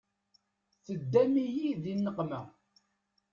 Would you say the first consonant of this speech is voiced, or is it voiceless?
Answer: voiceless